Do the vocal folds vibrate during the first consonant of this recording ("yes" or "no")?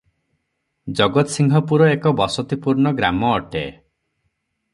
yes